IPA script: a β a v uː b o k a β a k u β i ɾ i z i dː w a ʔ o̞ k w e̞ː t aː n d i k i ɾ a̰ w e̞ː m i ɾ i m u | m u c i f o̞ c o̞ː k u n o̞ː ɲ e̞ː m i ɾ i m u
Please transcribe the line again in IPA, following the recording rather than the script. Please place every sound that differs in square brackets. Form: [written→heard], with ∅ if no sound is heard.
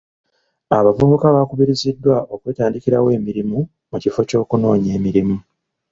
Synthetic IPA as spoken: a β a v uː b [o→u] k a β a k u β i ɾ i z i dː w a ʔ o̞ k w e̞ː t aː n d i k i ɾ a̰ w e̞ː m i ɾ i m u | m u c i f o̞ c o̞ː k u n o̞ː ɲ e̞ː m i ɾ i m u